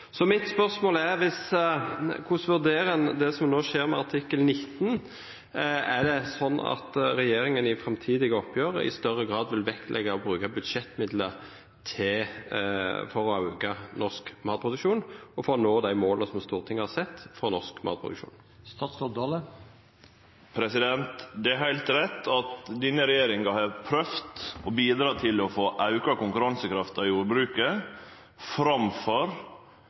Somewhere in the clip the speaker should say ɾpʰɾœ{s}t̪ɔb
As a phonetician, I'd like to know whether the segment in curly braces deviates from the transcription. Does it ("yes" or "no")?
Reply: yes